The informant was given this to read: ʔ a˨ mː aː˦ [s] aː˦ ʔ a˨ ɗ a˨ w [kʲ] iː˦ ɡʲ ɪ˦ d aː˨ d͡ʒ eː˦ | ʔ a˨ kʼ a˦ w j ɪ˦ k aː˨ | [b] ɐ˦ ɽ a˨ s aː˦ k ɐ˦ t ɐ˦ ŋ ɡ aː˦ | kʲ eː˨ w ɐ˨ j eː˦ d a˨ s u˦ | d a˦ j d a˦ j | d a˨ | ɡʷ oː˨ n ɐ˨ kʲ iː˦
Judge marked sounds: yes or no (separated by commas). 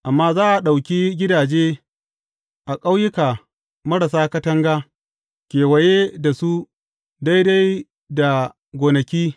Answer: no, yes, no